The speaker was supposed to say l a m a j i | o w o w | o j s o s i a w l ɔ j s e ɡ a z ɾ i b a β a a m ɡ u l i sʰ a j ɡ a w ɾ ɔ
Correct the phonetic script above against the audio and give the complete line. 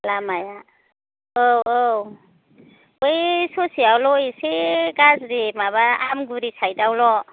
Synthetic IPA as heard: l a m a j a | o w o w | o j s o s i a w l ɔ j s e ɡ a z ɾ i m a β a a m ɡ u ɾ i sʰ a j d a w l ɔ